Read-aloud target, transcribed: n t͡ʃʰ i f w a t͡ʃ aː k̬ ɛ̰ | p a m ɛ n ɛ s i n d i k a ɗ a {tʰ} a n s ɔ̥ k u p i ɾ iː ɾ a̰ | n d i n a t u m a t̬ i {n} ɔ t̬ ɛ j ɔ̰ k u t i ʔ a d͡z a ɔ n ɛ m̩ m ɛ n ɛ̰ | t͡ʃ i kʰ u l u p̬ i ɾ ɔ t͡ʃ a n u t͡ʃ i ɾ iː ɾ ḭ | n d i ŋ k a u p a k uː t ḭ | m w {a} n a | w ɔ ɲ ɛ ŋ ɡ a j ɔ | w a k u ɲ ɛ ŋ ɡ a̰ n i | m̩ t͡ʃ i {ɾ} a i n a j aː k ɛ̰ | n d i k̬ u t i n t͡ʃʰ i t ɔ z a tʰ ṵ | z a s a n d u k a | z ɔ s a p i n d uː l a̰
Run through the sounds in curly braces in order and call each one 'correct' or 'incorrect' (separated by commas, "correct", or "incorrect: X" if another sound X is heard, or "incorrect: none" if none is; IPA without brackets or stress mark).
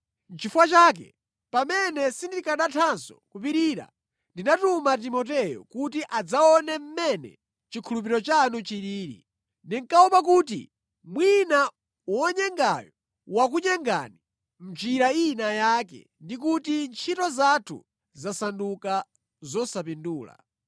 correct, incorrect: m, incorrect: i, correct